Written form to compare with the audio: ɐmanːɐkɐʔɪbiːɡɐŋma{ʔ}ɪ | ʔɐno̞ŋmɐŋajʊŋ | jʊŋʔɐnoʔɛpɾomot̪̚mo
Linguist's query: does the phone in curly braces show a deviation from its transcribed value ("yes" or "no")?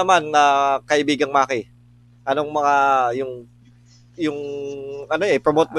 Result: yes